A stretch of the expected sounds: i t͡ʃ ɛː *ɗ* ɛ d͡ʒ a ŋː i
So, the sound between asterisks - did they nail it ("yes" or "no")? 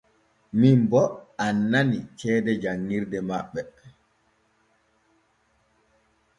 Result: no